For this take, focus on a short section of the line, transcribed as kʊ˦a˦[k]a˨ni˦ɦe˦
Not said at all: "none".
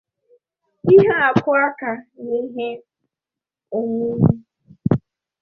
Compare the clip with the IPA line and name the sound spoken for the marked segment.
k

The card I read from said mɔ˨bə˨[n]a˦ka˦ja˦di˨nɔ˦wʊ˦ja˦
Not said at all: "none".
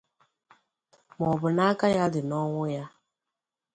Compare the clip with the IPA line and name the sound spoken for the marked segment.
n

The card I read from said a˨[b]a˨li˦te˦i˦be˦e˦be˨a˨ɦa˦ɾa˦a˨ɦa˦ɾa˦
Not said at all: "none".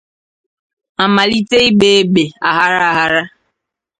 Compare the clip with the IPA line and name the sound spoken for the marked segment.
m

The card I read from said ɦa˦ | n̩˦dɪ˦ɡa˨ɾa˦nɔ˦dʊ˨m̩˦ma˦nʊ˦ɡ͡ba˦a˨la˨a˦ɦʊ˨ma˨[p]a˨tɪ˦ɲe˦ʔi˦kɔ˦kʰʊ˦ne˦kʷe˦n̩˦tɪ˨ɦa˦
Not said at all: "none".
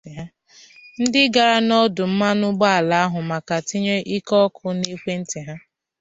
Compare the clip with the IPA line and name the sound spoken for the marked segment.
k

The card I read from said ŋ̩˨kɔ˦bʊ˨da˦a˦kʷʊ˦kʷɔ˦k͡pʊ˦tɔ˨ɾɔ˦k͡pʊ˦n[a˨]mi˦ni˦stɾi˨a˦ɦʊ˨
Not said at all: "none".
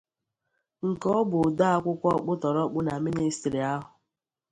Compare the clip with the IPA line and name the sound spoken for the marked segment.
a˨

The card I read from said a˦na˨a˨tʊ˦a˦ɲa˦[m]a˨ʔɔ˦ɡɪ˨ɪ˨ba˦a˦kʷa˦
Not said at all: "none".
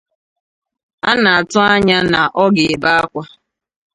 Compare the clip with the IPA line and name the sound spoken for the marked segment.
n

